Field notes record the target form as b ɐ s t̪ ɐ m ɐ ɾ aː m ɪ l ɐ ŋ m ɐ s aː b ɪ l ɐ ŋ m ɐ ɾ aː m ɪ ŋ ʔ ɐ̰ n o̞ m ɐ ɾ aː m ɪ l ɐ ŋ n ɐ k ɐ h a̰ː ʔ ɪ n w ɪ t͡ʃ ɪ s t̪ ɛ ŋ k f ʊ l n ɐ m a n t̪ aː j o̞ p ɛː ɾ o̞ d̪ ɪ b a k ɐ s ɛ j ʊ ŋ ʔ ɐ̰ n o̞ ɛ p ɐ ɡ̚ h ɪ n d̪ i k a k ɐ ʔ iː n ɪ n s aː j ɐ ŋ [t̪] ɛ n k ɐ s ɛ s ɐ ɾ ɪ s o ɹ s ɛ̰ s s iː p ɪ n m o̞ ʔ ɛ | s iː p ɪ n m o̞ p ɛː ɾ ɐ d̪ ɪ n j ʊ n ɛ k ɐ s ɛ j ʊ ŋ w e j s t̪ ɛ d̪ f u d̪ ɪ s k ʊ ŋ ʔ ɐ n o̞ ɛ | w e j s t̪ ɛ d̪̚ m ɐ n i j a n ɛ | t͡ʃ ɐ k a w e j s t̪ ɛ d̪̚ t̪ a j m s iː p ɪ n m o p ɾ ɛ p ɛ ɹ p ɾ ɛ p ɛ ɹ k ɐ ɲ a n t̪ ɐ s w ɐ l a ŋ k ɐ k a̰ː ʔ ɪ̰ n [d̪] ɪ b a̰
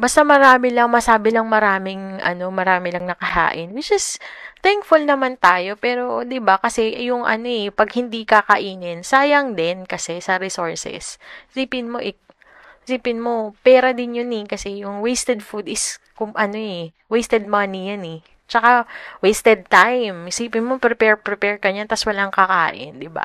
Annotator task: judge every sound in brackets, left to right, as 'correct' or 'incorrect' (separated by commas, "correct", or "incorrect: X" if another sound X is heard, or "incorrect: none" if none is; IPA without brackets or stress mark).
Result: incorrect: d̪, correct